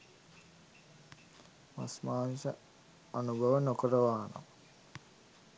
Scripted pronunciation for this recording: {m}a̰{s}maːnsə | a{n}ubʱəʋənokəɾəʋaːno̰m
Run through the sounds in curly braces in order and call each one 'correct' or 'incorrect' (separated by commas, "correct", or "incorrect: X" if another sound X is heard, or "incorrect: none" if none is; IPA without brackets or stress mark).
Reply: correct, correct, correct